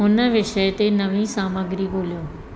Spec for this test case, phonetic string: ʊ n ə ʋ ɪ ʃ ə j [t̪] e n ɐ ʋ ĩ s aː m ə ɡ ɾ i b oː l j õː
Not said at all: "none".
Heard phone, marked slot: t̪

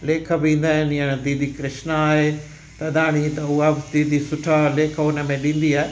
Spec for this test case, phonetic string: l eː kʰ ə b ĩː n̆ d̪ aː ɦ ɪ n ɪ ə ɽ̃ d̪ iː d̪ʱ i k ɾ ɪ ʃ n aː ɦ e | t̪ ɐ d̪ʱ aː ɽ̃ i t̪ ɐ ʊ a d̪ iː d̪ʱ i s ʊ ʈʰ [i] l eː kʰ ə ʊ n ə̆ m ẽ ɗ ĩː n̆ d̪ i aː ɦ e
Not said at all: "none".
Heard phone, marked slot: a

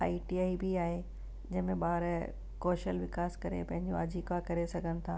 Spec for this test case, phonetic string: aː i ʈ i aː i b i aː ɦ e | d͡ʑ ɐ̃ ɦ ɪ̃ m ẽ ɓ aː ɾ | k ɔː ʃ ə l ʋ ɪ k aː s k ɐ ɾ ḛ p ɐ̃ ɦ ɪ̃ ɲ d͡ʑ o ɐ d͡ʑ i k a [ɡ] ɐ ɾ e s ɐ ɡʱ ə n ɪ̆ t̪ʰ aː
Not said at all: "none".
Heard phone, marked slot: k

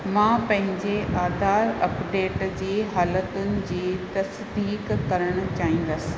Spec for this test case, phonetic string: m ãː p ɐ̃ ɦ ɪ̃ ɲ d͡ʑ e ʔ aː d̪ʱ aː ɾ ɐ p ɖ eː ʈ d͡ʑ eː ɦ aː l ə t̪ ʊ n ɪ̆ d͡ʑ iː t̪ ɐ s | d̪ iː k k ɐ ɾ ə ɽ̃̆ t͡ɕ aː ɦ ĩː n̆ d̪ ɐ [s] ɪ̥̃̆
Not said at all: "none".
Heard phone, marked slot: s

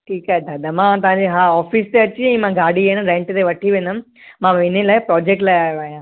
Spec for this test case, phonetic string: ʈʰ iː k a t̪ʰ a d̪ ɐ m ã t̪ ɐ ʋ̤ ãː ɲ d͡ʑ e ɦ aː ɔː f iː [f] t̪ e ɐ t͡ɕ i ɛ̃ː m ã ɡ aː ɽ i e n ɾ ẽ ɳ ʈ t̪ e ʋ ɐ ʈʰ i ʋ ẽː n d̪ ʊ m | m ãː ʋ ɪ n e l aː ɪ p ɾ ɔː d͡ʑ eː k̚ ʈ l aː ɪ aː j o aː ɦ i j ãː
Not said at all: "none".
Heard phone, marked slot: s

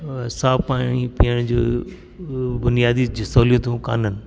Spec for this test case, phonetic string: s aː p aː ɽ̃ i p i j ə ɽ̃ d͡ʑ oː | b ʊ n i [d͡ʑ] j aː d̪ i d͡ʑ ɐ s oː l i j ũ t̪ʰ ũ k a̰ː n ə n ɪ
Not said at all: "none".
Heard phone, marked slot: none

